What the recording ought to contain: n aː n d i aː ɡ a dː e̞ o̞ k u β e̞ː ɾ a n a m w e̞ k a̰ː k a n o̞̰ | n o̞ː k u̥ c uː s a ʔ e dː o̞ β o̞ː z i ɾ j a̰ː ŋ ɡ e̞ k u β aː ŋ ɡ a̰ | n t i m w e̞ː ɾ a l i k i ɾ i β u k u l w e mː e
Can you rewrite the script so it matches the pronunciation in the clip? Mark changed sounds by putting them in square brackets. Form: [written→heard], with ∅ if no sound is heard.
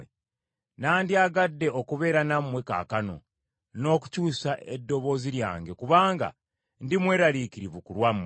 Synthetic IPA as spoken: n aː n d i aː ɡ a dː e̞ o̞ k u β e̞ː ɾ a n a m w e̞ k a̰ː k a n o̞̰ | n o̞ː k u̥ c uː s a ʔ e dː o̞ β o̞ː z i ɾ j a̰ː ŋ ɡ e̞ k u β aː ŋ ɡ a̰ | n [t→d] i m w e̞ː ɾ a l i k i ɾ i β u k u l w [e→a] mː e